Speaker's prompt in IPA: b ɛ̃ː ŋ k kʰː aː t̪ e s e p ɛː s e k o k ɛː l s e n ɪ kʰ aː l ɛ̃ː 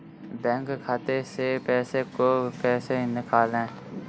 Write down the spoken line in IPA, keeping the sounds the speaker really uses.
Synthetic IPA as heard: b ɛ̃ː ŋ k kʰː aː t̪ e s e p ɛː s e k o p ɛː s e n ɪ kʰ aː l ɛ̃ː